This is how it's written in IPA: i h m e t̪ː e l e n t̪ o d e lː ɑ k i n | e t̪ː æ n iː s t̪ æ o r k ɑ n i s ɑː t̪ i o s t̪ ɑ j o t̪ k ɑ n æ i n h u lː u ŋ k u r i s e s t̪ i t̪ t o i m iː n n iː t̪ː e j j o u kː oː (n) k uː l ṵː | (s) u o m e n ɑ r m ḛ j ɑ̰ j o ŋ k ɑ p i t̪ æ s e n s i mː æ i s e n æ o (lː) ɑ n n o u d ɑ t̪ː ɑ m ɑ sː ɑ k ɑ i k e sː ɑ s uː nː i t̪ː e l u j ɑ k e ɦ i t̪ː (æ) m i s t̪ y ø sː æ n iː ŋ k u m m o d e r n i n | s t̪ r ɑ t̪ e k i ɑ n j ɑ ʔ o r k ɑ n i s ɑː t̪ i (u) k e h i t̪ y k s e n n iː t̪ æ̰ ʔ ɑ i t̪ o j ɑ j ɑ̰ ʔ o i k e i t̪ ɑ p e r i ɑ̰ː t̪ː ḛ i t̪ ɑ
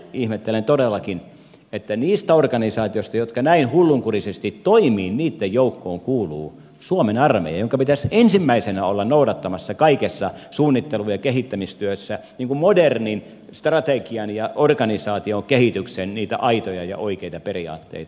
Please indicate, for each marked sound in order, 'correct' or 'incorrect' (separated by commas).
incorrect, correct, correct, correct, incorrect